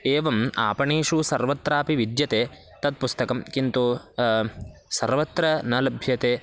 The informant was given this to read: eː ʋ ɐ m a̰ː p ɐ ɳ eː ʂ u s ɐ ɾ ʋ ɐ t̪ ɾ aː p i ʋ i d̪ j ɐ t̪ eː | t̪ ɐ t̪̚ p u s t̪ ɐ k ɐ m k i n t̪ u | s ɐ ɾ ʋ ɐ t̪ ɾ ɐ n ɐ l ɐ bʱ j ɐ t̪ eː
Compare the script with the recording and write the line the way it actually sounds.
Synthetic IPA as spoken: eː ʋ ɐ m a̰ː p ɐ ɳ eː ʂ u s ɐ ɾ ʋ ɐ t̪ ɾ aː p i ʋ i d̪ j ɐ t̪ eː | t̪ ɐ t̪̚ p u s t̪ ɐ k ɐ m k i n t̪ u | s ɐ ɾ ʋ ɐ t̪ ɾ ɐ n ɐ l ɐ bʱ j ɐ t̪ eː